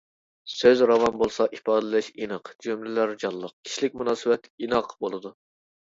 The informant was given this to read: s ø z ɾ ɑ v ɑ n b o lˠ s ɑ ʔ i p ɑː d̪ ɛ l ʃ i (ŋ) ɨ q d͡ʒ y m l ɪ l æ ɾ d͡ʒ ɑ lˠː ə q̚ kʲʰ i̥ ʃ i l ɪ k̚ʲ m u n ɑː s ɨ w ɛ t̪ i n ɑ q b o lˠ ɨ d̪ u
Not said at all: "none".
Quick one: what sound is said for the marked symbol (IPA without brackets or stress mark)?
n